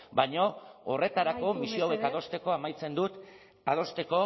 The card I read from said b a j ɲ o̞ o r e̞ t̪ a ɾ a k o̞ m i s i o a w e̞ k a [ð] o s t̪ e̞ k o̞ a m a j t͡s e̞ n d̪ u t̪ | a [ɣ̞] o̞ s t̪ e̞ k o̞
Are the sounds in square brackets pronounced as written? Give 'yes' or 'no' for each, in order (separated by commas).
yes, no